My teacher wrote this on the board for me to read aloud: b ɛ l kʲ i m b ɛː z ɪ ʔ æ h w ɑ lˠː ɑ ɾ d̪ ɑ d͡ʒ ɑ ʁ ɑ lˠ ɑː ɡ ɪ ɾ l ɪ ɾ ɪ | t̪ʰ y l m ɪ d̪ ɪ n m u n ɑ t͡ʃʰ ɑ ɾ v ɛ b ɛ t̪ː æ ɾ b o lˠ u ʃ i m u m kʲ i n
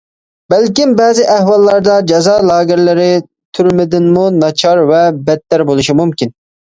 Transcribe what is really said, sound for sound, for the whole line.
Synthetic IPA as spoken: b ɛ l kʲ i m b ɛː z ɪ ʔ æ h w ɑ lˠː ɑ ɾ d̪ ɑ d͡ʒ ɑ z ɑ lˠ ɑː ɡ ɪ ɾ l ɪ ɾ ɪ | t̪ʰ y ɾ m ɪ d̪ ɪ n m u n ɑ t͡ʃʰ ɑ ɾ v ɛ b ɛ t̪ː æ ɾ b o lˠ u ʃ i m u m kʲ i n

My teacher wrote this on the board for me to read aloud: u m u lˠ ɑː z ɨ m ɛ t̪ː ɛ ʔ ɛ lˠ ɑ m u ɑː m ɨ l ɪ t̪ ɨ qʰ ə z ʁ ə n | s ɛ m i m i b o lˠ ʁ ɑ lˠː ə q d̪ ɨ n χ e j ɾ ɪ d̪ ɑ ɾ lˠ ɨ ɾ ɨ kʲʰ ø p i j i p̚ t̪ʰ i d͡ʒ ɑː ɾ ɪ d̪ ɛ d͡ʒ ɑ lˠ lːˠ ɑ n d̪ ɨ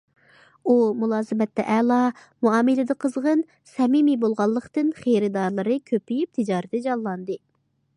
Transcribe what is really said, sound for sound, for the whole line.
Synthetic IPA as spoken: u m u lˠ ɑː z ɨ m ɛ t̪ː ɛ ʔ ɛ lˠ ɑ m u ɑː m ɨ l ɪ d̪ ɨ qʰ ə z ʁ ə n | s ɛ m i m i b o lˠ ʁ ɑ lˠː ə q t̪ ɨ n χ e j ɾ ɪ d̪ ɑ ɾ lˠ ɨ ɾ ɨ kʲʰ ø p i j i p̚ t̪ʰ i d͡ʒ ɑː ɾ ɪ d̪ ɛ d͡ʒ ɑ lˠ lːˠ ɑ n d̪ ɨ

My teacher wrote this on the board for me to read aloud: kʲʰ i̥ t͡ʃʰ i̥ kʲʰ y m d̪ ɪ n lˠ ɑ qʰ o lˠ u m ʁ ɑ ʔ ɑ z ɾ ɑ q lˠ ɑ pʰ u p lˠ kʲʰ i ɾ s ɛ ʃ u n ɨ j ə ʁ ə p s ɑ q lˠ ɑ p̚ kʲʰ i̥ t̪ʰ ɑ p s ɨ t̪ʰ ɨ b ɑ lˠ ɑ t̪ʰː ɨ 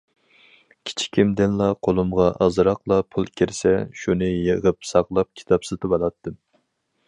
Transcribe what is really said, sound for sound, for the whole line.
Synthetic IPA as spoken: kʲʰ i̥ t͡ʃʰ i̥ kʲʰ i m d̪ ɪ n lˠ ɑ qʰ o lˠ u m ʁ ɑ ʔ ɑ z ɾ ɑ q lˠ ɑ pʰ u lˠ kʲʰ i ɾ s ɛ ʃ u n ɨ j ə ʁ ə p s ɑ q lˠ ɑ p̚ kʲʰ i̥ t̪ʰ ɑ p s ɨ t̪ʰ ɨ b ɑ lˠ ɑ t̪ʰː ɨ

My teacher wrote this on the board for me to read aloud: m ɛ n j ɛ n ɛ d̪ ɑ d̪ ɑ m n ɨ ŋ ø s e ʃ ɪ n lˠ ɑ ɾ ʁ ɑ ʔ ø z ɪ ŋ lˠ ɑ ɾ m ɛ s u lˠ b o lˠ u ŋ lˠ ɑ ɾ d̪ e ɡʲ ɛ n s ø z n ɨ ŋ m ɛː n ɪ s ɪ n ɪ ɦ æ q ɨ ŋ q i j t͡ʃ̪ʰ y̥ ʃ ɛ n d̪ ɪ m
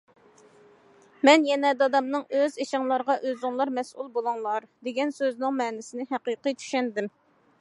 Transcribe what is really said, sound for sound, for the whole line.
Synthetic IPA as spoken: m ɛ n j ɛ n ɛ d̪ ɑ d̪ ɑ m n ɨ ŋ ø z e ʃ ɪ ŋ lˠ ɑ ɾ ʁ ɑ ʔ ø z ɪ ŋ lˠ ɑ ɾ m ɛ s u lˠ b o lˠ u ŋ lˠ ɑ ɾ d̪ e ɡʲ ɛ n s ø z n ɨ ŋ m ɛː n ɪ s ɪ n ɪ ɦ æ q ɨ q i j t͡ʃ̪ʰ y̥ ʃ ɛ n d̪ ɪ m

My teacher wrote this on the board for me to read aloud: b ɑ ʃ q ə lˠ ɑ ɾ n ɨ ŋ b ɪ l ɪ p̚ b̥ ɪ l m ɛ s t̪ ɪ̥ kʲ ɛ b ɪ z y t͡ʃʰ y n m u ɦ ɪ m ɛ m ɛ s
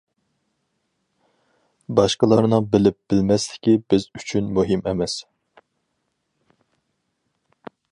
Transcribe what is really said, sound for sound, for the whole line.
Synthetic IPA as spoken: b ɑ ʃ q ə lˠ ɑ ɾ n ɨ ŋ b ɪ l ɪ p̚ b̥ ɪ l m ɛ s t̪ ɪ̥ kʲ i b ɪ z y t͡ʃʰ y n m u ɦ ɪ m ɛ m ɛ s

